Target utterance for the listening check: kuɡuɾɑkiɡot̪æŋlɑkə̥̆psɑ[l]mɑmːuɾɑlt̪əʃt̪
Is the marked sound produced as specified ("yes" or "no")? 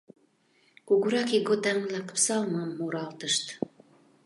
yes